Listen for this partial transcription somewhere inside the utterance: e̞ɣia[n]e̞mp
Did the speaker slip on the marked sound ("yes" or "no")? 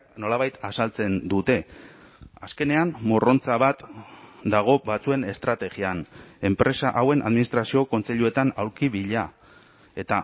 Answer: no